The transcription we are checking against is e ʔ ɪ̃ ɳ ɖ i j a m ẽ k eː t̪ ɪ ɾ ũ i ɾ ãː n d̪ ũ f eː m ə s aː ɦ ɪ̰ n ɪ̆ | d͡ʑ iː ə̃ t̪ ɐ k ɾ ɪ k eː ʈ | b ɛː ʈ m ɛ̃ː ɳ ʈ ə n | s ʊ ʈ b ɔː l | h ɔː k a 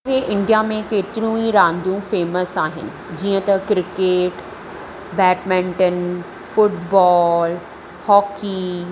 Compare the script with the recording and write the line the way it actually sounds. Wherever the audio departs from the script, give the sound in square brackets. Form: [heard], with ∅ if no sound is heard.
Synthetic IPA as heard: e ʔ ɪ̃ ɳ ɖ i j a m ẽ k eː t̪ ɪ ɾ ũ i ɾ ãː n d̪ ũ f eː m ə s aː ɦ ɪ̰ n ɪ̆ | d͡ʑ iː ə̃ t̪ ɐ k ɾ ɪ k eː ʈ | b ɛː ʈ m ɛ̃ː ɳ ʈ ə n | [f] ʊ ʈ b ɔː l | h ɔː k [i]